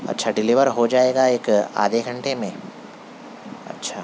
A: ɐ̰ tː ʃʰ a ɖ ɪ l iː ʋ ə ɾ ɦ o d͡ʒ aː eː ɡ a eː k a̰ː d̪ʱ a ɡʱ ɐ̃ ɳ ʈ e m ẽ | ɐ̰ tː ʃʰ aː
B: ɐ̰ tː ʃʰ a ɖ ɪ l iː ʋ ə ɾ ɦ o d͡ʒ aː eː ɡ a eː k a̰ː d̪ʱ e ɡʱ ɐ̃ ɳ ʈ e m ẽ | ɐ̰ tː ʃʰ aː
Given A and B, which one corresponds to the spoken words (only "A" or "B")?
B